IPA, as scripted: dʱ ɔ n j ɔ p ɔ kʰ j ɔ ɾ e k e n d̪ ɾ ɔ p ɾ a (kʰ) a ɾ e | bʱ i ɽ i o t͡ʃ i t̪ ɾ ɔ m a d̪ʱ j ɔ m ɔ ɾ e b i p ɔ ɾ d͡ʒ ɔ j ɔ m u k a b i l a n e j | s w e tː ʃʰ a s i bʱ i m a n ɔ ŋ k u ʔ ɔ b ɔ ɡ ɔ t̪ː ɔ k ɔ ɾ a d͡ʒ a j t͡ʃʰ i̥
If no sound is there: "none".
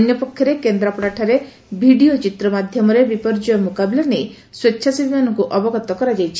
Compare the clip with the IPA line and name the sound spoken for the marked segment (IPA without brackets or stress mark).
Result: ʈʰ